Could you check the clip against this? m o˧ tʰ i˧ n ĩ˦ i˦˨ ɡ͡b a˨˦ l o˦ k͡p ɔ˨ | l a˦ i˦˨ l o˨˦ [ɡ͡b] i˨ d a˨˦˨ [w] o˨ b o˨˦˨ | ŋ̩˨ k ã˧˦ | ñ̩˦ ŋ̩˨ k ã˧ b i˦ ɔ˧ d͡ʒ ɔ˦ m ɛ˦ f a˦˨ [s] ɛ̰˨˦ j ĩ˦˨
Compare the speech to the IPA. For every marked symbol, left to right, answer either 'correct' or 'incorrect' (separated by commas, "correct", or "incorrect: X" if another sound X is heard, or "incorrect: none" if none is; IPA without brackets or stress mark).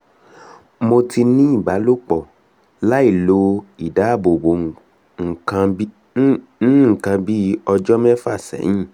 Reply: incorrect: none, incorrect: b, correct